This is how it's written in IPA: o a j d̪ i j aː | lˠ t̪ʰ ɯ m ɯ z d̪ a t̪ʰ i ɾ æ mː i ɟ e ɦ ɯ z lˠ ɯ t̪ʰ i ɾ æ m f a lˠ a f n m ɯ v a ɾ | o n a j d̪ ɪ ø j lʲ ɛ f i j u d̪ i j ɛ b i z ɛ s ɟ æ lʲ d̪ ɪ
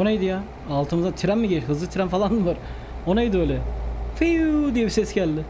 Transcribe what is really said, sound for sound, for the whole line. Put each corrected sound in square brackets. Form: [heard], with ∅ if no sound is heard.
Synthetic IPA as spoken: o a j d̪ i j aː | lˠ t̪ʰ ɯ m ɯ z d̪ a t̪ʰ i ɾ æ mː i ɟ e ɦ ɯ z lˠ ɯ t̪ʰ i ɾ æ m f a lˠ a [∅] n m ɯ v a ɾ | o n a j d̪ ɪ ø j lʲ ɛ f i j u d̪ i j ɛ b i [s] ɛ s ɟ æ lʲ d̪ ɪ